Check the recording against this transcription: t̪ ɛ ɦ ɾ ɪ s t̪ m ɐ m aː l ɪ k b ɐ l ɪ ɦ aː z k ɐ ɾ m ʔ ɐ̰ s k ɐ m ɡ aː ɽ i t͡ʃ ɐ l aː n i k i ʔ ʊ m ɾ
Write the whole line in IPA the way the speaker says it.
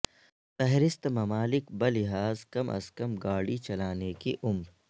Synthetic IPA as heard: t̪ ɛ ɦ ɾ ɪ s t̪ m ɐ m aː l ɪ k b ɐ l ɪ ɦ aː z k ɐ m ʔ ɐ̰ s k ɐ m ɡ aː ɽ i t͡ʃ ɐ l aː n e k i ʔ ʊ m ɾ